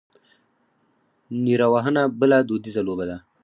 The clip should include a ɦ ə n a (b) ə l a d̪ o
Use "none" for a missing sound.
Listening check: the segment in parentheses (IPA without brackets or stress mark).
b